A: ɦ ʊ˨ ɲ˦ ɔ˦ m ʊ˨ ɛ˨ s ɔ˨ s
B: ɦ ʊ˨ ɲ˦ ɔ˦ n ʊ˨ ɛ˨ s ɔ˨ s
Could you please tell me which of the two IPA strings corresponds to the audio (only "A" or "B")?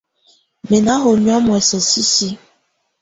A